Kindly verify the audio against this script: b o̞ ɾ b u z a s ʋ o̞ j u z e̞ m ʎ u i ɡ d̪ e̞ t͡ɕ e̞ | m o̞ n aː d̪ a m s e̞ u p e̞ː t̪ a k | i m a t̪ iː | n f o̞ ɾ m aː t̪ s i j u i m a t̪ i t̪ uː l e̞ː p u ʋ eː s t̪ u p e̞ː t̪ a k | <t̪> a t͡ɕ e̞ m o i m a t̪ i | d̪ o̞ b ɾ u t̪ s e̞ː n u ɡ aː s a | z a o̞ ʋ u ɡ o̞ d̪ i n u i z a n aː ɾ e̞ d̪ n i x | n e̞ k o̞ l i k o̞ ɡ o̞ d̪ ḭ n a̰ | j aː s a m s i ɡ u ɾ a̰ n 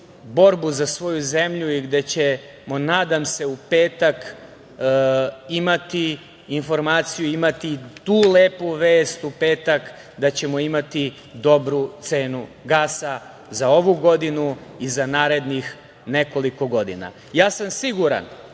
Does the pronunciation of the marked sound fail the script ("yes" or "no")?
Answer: yes